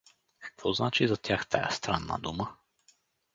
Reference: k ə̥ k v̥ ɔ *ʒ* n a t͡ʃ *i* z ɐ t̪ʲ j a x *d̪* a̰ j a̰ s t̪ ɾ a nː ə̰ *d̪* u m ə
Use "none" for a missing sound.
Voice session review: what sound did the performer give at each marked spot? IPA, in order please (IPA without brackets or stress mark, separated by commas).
z, i, t̪, d̪